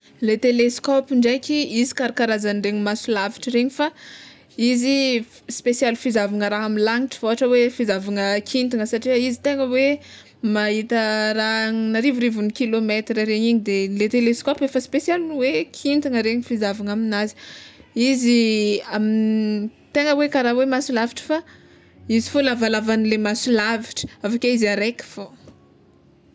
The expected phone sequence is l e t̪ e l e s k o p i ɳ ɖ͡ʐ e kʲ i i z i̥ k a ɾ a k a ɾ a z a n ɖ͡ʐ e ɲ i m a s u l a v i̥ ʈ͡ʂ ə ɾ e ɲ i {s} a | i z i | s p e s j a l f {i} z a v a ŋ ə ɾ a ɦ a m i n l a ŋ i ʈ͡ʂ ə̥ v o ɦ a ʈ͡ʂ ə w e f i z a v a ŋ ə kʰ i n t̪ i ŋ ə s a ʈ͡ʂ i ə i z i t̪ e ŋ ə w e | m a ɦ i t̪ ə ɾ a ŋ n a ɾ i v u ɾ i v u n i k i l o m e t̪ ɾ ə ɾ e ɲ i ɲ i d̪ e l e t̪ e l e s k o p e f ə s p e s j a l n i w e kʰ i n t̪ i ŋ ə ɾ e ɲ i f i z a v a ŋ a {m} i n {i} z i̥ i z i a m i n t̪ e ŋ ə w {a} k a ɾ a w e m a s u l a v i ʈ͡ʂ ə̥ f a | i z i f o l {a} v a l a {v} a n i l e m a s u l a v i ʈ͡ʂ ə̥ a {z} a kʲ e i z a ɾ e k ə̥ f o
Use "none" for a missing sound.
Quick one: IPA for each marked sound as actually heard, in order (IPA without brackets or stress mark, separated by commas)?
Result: f, i, m, a, e, a, v, v